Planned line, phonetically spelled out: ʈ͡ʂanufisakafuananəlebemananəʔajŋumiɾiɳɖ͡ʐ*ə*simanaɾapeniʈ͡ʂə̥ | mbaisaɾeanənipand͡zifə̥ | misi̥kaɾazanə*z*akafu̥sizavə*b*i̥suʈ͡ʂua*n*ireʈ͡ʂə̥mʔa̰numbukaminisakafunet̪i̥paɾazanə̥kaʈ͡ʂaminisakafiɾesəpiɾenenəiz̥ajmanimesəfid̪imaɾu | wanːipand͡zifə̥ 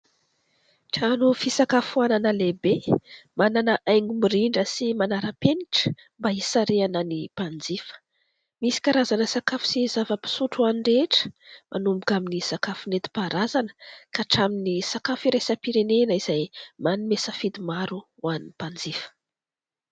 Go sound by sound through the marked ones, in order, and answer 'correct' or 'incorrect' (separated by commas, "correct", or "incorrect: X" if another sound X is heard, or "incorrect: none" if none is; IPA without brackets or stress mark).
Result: correct, incorrect: s, incorrect: p, correct